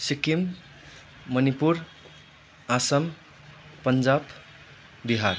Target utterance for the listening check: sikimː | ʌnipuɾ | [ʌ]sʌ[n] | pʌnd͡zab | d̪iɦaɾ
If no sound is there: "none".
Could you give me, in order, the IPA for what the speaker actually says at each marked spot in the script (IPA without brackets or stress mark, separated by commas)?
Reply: a, m